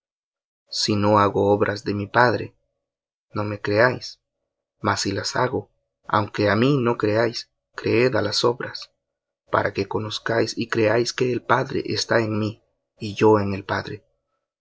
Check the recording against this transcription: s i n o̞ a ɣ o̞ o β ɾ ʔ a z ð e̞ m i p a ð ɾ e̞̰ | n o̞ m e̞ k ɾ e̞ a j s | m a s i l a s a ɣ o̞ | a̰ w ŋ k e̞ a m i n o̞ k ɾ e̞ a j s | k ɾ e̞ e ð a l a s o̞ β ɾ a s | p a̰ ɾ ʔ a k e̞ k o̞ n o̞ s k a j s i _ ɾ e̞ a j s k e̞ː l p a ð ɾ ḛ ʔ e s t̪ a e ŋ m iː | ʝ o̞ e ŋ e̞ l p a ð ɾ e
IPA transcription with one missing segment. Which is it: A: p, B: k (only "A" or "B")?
B